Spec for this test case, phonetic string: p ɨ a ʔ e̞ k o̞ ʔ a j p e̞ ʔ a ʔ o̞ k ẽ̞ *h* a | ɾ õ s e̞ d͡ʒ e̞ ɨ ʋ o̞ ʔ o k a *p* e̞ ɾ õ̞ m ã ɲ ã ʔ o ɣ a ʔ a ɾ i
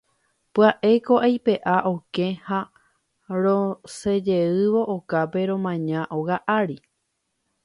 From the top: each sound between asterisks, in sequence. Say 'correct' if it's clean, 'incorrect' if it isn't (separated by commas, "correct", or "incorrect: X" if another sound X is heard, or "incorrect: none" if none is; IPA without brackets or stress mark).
correct, correct